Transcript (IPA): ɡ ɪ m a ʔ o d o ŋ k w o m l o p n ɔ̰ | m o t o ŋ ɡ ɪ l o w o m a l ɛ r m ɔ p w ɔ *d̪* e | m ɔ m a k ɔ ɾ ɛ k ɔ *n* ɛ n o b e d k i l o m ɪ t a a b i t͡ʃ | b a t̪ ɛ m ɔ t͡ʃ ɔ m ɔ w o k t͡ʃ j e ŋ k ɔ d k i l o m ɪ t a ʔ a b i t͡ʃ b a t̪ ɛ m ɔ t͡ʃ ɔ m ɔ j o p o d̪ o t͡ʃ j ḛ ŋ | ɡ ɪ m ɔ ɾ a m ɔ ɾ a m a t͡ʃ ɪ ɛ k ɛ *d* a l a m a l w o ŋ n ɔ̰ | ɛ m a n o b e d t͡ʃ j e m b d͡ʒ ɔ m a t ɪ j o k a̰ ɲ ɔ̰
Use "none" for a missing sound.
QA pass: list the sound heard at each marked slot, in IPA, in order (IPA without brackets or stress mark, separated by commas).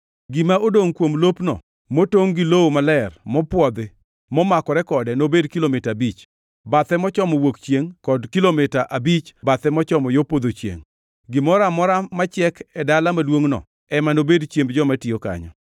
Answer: d̪, d, d